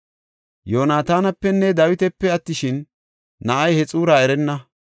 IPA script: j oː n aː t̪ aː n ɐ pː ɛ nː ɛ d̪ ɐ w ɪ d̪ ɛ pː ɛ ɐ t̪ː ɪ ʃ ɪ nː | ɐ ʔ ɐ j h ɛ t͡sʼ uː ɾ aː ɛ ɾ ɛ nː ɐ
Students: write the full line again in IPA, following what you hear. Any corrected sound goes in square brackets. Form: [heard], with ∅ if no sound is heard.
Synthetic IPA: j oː n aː t̪ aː n ɐ pː ɛ nː ɛ d̪ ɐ w ɪ [t̪] ɛ pː ɛ ɐ t̪ː ɪ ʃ ɪ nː | ɐ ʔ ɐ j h ɛ t͡sʼ uː ɾ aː ɛ ɾ ɛ nː ɐ